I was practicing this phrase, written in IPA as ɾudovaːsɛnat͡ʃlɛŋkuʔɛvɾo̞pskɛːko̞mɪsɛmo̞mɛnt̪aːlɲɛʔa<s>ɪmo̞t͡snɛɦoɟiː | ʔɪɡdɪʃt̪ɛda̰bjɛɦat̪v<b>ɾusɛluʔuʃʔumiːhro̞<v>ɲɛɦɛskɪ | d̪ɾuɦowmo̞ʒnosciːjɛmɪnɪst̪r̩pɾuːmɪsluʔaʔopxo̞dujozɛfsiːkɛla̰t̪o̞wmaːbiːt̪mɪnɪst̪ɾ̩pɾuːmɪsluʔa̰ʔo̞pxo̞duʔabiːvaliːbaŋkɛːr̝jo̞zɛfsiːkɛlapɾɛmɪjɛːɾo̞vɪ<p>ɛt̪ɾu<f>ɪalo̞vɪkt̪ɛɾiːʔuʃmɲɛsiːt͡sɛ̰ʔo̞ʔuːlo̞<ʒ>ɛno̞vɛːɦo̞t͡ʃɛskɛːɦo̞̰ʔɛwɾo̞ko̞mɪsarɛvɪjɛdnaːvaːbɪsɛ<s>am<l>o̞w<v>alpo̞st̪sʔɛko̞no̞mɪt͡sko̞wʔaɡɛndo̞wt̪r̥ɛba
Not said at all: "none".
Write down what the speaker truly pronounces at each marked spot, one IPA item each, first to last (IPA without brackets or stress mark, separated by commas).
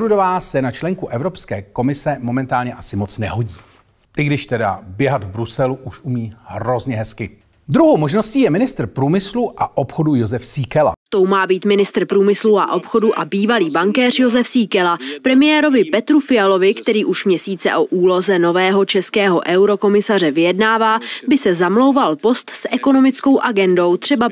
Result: s, b, z, p, f, z, z, l, v